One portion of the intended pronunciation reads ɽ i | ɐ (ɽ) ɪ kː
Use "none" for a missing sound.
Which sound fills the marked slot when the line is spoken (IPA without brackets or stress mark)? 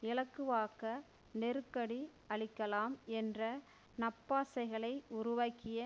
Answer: ɭ